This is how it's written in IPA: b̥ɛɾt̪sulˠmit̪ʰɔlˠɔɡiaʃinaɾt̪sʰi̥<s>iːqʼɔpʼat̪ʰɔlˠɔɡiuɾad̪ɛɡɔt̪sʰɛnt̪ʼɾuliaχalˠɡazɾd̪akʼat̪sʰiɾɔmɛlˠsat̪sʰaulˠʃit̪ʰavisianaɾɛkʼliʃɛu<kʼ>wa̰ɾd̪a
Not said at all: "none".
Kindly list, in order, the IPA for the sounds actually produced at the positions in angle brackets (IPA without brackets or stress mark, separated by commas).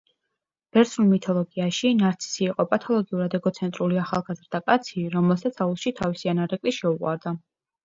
s, qʼ